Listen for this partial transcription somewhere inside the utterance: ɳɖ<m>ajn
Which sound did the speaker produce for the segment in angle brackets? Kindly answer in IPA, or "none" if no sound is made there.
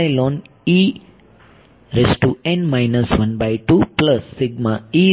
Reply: m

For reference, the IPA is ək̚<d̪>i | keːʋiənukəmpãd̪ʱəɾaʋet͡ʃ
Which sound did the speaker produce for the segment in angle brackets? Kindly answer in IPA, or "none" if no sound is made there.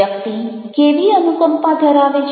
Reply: t̪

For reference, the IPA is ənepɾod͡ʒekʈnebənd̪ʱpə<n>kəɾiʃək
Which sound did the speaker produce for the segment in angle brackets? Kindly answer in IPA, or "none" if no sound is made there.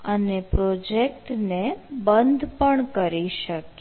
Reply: ɳ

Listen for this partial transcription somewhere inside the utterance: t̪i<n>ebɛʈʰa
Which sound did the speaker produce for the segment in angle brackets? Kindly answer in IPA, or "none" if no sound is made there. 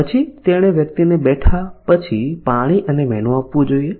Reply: n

